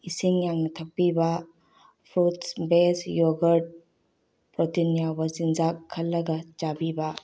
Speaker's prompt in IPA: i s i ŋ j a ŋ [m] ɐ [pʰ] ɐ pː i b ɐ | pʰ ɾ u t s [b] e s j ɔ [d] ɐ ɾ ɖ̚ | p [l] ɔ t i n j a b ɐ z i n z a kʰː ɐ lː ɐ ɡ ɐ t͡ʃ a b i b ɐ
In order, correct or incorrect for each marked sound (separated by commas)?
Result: incorrect, incorrect, correct, incorrect, incorrect